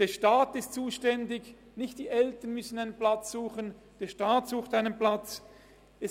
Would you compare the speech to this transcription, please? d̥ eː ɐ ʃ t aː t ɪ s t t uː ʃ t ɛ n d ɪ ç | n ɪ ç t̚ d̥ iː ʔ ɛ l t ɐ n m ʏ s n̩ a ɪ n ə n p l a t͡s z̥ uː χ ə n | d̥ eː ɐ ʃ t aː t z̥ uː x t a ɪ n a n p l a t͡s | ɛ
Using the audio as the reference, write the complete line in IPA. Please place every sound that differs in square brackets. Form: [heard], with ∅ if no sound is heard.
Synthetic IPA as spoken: d̥ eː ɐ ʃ t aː t ɪ s t [t͡s] uː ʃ t ɛ n d ɪ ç | n ɪ ç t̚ d̥ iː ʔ ɛ l t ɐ n m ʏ s n̩ a ɪ n ə n p l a t͡s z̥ uː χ ə n | d̥ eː ɐ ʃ t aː t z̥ uː x t a ɪ n [ə] n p l a t͡s | ɛ